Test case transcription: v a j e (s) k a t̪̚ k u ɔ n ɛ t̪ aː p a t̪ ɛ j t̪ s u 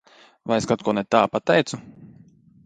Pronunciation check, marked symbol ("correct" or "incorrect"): correct